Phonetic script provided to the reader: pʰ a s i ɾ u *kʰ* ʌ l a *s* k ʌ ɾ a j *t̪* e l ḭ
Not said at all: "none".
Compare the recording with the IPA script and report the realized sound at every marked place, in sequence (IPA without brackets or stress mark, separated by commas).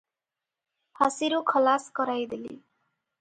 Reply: kʰ, s, d̪